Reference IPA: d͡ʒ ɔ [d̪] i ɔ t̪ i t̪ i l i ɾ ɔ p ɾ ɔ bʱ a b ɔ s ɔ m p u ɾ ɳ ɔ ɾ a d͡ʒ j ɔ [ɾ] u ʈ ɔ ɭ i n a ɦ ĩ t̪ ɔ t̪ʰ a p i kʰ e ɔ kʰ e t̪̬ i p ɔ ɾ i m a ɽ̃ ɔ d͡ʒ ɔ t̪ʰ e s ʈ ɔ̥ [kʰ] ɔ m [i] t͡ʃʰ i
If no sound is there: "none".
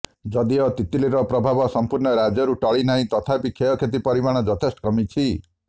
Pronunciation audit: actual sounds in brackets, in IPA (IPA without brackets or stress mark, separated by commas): d̪, ɾ, k, i